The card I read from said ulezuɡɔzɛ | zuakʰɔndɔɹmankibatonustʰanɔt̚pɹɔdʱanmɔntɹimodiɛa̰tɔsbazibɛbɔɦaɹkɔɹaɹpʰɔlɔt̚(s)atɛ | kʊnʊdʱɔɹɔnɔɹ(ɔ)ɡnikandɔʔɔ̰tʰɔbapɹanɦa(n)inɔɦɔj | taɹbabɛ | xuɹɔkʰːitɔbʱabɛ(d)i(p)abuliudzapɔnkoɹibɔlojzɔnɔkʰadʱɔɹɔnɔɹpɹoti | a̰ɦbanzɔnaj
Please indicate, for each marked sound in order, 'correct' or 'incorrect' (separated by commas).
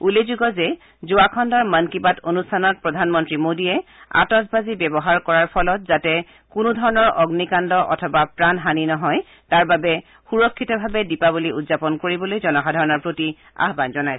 incorrect, correct, correct, correct, correct